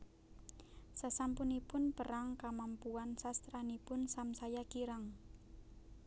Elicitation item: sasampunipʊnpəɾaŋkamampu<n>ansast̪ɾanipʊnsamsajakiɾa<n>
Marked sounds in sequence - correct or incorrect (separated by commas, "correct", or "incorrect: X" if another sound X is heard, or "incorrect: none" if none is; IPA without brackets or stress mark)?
incorrect: none, incorrect: ŋ